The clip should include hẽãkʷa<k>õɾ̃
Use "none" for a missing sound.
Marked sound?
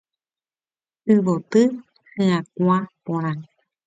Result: p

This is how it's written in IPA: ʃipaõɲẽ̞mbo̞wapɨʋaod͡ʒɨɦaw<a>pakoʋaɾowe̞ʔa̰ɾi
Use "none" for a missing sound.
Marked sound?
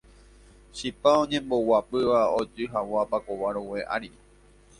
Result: a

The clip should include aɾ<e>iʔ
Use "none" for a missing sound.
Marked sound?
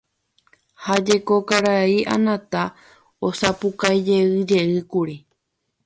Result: a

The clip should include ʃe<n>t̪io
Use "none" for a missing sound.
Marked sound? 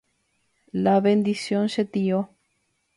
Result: none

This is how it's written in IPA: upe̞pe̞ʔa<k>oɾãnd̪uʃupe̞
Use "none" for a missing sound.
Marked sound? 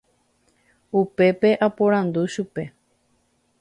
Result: p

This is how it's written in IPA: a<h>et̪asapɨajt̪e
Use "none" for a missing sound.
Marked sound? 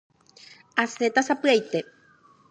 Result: s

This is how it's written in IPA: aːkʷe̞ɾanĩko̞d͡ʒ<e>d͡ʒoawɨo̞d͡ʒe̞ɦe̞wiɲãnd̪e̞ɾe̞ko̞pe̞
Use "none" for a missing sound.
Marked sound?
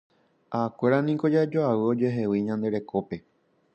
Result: a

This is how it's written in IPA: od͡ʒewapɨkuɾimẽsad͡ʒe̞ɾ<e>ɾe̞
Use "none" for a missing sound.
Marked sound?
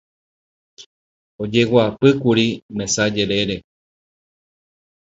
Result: e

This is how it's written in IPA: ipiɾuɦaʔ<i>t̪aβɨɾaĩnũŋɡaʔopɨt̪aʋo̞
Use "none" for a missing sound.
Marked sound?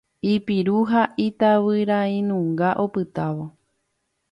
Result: i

